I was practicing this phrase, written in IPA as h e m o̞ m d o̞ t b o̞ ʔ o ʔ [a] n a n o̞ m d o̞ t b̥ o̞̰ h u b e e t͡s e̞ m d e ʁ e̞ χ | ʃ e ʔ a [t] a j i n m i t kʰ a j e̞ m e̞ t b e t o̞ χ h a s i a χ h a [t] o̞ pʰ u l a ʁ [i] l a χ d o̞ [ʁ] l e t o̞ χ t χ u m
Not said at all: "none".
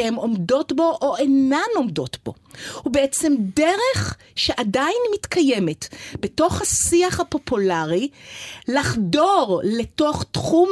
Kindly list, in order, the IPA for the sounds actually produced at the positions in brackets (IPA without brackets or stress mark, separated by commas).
e, d, p, i, ʁ